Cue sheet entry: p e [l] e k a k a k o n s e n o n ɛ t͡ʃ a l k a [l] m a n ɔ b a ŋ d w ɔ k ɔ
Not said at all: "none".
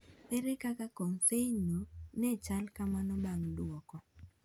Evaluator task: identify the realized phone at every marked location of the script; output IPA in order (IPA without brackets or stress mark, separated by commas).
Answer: ɾ, none